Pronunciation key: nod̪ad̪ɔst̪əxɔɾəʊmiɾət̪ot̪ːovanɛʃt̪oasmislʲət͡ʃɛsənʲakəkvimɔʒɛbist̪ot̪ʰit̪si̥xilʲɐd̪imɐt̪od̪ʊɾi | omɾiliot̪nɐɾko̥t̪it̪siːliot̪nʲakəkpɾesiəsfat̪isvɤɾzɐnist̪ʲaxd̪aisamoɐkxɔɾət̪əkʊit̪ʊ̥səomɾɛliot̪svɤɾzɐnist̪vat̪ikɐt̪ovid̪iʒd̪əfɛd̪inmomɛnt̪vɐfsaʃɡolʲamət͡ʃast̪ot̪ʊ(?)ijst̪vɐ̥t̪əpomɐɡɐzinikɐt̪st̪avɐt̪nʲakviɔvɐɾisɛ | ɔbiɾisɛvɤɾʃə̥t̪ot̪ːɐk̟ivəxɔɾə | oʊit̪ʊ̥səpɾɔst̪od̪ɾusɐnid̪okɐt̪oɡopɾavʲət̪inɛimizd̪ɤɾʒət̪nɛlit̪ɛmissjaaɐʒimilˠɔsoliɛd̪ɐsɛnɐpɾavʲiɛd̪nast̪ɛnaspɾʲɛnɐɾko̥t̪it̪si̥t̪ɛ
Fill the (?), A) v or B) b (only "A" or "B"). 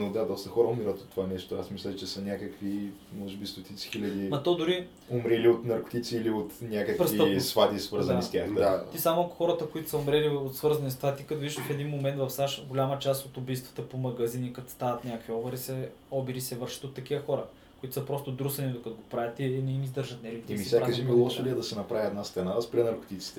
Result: B